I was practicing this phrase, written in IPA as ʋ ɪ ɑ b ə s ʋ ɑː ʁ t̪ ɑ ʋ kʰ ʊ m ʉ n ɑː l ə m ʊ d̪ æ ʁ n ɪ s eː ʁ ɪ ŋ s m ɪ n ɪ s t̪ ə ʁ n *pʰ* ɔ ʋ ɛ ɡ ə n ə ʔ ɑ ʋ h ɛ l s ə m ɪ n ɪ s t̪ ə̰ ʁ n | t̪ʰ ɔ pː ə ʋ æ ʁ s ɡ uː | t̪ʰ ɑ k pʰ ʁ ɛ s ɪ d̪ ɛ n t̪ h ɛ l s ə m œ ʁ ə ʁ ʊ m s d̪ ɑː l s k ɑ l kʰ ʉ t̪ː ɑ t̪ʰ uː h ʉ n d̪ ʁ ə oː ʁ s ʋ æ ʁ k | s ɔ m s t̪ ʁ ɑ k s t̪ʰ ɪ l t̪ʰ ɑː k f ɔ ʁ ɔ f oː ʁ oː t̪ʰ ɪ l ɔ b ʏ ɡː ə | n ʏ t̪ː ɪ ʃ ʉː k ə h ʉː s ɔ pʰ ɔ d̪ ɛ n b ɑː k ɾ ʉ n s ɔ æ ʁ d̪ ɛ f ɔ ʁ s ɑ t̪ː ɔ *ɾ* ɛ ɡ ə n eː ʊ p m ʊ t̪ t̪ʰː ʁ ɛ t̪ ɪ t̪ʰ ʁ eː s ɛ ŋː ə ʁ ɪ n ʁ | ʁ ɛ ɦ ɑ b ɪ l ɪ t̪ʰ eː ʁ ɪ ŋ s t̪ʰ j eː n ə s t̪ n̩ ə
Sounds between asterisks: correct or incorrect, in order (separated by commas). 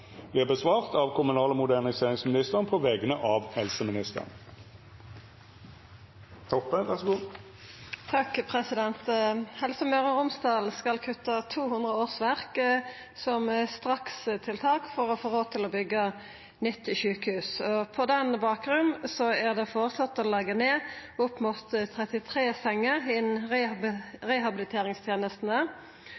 correct, incorrect